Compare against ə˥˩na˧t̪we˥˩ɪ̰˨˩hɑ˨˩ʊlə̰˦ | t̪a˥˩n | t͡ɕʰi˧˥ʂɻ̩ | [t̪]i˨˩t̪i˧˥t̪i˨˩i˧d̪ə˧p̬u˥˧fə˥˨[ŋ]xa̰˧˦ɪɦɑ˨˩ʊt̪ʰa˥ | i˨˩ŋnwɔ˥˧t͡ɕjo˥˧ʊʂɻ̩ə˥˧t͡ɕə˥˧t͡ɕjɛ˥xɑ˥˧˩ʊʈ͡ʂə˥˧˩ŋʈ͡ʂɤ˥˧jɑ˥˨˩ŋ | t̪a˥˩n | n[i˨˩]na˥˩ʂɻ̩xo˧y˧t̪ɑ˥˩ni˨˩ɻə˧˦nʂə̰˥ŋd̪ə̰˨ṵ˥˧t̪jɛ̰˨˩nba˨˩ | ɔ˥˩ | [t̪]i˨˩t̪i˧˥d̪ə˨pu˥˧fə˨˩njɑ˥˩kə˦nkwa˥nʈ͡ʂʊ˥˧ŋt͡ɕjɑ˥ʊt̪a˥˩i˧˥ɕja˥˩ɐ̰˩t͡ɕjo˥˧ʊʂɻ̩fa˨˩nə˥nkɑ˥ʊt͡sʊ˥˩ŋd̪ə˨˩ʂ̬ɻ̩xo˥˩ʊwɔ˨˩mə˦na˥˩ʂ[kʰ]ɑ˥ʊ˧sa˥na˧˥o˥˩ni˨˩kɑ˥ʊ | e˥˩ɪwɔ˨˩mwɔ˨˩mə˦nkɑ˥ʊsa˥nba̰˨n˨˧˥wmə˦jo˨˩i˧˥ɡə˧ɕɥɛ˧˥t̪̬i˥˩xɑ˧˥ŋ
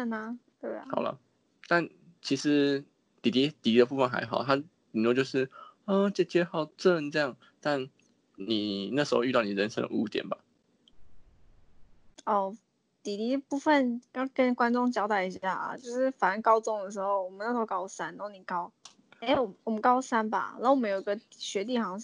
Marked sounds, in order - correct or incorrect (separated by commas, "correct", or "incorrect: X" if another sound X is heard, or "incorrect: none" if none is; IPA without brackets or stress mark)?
correct, incorrect: n, correct, correct, incorrect: k